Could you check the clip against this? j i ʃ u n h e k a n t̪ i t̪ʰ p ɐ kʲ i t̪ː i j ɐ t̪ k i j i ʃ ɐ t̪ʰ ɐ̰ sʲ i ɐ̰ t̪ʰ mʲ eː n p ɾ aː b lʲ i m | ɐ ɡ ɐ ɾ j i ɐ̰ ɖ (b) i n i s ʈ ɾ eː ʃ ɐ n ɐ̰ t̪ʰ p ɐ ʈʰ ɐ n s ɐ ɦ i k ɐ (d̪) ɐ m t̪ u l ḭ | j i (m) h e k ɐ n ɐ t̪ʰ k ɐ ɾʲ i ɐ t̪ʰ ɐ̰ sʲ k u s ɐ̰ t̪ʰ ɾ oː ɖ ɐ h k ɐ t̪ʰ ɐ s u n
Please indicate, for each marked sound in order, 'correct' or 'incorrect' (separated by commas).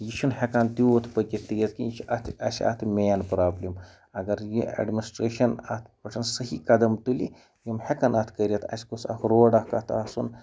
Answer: incorrect, correct, correct